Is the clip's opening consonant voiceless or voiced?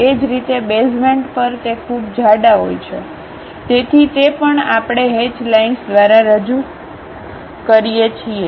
voiced